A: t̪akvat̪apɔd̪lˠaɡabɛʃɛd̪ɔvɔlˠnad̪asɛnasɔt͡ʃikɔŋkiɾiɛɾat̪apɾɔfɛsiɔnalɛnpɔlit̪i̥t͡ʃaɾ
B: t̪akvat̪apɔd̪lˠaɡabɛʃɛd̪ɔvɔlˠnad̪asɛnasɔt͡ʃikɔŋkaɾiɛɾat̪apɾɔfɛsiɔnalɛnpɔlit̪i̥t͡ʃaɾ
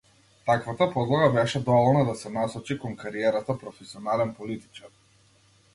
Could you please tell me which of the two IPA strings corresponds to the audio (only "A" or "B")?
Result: B